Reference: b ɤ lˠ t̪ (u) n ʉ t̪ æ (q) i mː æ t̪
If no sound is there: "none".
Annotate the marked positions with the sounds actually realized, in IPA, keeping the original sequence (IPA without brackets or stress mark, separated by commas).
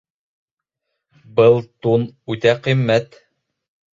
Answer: u, q